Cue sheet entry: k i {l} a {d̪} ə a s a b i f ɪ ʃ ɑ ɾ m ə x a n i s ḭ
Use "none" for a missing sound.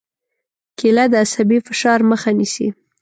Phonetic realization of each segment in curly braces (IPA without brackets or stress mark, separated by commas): l, d̪